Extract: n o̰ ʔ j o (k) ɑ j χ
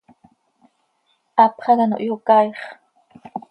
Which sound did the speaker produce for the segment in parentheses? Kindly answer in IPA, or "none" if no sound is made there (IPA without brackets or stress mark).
k